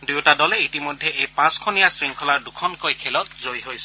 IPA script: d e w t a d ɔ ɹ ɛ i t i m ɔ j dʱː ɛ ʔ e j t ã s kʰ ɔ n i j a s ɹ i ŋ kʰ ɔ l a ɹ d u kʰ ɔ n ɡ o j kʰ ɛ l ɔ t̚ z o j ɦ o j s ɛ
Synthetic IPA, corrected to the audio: d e w t a d ɔ l ɛ i t i m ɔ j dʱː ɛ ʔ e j p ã s kʰ ɔ n i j a s ɹ i ŋ kʰ ɔ l a ɹ d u kʰ ɔ n k o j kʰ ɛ l ɔ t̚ z o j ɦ o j s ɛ